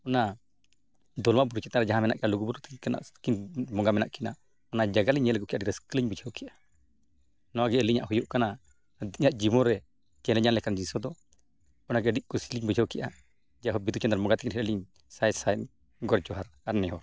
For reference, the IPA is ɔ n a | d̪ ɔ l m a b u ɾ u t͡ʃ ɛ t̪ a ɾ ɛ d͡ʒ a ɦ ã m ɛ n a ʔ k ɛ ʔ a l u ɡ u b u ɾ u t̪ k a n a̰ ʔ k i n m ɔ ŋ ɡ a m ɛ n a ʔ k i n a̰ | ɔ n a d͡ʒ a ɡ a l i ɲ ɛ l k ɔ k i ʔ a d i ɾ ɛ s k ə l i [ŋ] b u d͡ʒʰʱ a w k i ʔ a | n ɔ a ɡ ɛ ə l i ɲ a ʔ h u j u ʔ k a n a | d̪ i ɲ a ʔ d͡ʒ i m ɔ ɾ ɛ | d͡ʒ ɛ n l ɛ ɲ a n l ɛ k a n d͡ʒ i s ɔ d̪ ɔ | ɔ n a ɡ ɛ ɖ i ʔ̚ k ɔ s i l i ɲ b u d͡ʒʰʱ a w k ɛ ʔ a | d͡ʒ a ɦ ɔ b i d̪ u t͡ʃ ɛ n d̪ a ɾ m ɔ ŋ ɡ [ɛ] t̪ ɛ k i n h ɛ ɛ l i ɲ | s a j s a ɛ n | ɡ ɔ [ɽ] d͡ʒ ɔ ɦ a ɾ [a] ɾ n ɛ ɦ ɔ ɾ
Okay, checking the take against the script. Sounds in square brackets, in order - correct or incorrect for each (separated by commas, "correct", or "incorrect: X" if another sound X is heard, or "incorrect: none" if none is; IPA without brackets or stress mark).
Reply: incorrect: ɲ, incorrect: a, incorrect: ɾ, correct